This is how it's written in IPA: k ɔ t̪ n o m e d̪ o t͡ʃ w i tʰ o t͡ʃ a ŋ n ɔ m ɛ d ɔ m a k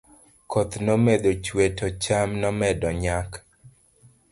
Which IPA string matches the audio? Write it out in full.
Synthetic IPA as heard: k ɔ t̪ n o m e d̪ o t͡ʃ w e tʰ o t͡ʃ a m n ɔ m ɛ d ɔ ɲ a k